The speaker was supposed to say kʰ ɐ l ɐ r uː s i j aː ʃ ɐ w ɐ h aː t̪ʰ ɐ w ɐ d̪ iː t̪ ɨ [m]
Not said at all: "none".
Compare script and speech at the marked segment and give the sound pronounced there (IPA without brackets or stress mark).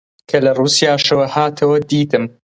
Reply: m